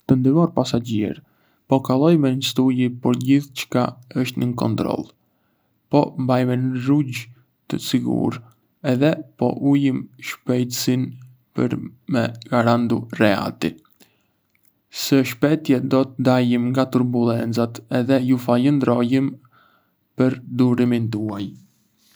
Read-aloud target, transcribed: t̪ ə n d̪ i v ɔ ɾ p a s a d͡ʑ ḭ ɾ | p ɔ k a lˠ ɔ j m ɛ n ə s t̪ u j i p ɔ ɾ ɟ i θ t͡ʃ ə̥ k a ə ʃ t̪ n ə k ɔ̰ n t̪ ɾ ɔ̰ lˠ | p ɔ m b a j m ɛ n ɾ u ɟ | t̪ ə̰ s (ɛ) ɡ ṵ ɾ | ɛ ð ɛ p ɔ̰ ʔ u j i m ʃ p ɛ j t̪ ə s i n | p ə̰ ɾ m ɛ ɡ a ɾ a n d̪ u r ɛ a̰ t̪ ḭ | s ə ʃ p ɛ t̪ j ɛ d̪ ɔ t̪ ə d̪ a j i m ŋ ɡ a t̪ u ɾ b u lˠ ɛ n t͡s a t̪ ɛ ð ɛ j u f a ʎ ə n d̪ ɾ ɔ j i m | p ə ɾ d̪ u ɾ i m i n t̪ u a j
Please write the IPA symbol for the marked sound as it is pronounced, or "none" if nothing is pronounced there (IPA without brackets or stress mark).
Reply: i